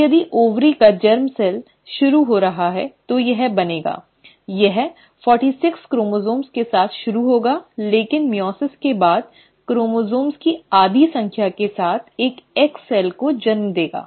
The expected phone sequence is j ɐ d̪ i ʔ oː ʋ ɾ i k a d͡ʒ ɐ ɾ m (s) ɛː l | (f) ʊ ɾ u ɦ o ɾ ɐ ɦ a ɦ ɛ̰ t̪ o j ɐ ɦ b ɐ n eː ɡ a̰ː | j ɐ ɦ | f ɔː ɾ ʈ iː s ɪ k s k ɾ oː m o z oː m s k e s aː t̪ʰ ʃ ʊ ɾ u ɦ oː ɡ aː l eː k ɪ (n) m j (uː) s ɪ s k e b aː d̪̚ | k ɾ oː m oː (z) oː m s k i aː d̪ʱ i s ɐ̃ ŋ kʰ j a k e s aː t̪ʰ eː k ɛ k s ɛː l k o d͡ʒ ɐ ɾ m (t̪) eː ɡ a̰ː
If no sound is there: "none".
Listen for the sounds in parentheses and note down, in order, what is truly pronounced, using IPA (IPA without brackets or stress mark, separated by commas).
s, ʃ, n, ɔː, z, d̪